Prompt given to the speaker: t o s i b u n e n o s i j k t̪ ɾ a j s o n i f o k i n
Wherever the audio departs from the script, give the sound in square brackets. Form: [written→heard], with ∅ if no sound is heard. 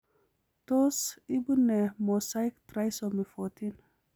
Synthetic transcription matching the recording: t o s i b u n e [n→m] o s [i→a] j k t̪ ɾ a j s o [n→m] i f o [k→t] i n